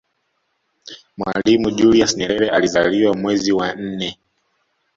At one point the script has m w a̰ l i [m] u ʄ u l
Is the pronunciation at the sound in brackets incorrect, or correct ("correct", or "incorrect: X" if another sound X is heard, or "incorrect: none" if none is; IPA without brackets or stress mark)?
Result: correct